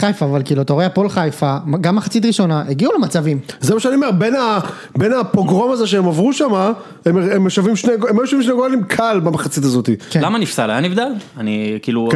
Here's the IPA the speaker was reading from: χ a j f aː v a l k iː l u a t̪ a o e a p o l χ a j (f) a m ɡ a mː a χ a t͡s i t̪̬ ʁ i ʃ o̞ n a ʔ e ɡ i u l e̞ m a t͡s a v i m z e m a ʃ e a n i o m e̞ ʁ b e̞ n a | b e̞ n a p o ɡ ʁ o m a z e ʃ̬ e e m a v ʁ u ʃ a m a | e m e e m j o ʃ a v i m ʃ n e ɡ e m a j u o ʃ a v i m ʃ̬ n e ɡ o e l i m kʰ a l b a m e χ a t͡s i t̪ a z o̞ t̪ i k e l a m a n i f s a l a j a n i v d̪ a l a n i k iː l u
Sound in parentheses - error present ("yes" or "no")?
no